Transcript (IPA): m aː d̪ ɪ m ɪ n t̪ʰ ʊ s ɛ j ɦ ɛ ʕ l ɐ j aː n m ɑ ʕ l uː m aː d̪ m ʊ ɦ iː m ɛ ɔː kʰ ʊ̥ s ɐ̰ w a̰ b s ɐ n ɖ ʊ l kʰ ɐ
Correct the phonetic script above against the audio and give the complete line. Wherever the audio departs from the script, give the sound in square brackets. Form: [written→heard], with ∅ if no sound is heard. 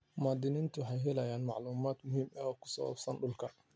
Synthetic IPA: m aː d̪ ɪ [m→n] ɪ n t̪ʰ ʊ [s→ħ] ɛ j ɦ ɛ [ʕ→∅] l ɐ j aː n m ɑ ʕ l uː m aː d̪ m ʊ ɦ iː m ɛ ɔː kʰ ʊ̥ s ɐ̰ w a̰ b s ɐ n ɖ ʊ l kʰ ɐ